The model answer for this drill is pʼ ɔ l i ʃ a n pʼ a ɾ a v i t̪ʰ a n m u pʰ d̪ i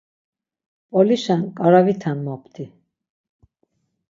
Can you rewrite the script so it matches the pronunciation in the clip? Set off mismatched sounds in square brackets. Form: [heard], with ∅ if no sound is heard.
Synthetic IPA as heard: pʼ ɔ l i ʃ a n [kʼ] a ɾ a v i t̪ʰ a n m [ɔ] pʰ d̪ i